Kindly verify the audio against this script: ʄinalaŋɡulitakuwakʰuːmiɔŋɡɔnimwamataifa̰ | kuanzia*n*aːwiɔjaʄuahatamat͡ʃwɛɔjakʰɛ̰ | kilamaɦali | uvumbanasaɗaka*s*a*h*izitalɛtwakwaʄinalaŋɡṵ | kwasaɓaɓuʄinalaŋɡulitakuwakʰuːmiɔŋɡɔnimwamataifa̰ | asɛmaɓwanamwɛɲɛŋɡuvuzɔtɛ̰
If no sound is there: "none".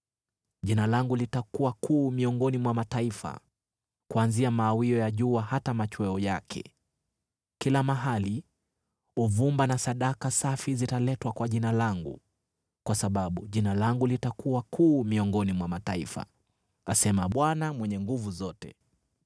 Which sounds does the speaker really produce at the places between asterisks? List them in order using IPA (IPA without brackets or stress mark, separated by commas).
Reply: m, s, f